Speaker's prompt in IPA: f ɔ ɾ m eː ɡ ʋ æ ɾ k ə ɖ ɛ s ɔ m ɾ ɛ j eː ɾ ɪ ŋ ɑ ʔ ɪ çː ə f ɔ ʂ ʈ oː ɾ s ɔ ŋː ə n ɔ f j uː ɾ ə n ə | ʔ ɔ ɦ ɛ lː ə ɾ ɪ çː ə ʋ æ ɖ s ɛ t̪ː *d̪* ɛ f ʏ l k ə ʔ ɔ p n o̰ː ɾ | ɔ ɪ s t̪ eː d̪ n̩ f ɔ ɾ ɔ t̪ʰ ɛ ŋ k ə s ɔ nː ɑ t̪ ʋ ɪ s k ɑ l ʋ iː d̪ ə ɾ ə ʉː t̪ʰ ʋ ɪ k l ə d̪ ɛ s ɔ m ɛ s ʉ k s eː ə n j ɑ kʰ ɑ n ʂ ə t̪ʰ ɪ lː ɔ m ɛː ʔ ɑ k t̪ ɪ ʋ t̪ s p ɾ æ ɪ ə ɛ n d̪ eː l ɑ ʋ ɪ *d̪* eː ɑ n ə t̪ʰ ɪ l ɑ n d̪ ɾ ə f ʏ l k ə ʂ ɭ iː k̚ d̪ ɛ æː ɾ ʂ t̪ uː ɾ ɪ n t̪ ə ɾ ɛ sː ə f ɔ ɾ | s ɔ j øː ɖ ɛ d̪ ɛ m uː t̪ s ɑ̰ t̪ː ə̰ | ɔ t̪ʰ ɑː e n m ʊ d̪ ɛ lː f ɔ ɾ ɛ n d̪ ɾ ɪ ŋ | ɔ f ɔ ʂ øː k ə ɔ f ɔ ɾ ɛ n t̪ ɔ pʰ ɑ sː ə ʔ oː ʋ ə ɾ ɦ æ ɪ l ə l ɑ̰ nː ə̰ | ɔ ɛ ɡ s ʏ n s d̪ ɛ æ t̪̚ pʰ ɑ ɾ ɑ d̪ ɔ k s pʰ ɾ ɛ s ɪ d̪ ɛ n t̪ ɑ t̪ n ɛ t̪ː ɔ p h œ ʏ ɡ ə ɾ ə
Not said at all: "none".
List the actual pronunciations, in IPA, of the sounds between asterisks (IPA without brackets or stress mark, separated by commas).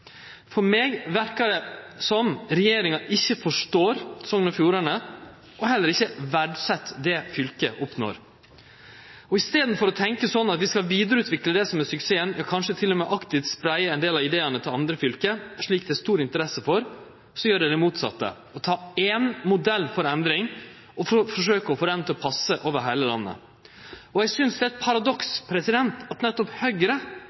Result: d̪, d̪